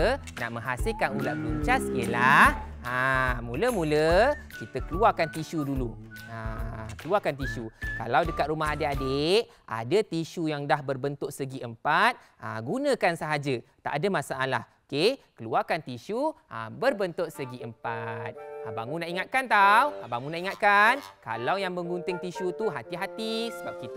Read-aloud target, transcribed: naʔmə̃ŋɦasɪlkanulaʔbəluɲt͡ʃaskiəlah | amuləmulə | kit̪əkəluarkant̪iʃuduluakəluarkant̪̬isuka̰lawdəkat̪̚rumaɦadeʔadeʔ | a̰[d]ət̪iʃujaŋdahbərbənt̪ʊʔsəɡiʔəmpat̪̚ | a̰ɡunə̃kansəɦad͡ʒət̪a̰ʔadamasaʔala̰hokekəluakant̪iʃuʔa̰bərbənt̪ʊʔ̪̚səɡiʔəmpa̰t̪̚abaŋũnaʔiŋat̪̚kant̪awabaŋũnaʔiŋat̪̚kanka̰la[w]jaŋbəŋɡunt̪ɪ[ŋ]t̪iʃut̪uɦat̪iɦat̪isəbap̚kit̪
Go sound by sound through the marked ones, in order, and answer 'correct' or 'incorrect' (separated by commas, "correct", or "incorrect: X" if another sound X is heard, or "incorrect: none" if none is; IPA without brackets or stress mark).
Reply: correct, correct, correct